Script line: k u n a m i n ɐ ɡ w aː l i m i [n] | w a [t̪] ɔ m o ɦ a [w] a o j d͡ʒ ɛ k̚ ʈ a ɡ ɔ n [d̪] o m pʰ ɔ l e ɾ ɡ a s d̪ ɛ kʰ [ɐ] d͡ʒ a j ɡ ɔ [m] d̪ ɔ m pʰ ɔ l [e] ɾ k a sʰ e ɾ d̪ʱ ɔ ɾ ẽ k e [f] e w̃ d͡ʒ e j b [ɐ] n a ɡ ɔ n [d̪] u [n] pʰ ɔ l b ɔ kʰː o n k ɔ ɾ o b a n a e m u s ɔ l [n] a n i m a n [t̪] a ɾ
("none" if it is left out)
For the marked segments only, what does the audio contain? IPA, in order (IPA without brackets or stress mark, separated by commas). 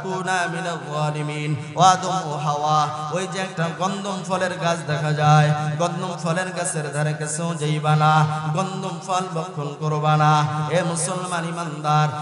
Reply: n, d̪, w, d̪, a, n, e, s, a, d̪, m, m, d̪